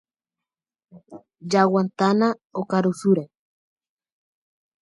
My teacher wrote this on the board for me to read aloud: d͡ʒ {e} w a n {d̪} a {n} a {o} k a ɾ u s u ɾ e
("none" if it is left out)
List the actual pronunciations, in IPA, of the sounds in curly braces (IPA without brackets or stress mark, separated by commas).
a, t̪, n, o